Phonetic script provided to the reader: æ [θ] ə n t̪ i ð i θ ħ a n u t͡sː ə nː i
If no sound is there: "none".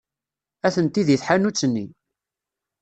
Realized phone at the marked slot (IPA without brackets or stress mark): θ